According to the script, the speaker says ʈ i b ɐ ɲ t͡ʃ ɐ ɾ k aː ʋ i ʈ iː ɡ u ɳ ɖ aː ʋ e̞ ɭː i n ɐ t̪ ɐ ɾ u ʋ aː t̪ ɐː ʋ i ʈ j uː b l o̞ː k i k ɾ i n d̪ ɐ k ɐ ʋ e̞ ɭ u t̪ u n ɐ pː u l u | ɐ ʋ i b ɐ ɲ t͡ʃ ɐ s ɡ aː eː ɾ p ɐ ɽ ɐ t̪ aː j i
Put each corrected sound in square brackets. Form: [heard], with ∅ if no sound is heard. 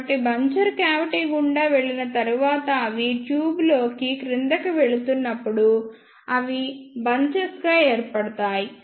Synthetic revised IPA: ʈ i b ɐ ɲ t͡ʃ ɐ ɾ k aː ʋ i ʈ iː ɡ u ɳ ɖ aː ʋ e̞ ɭː i n ɐ t̪ ɐ ɾ u ʋ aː t̪ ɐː ʋ i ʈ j uː b l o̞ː k i k ɾ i n d̪ ɐ k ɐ ʋ e̞ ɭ u t̪ u [nː] ɐ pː u [ɽ] u | ɐ ʋ i b ɐ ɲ t͡ʃ ɐ s ɡ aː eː ɾ p ɐ ɽ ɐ t̪ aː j i